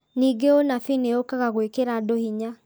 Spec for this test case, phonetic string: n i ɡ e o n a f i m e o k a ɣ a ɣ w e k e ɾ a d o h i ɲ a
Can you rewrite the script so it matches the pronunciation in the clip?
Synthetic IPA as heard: n i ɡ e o n a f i n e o k a ɣ a ɣ w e k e ɾ a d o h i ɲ a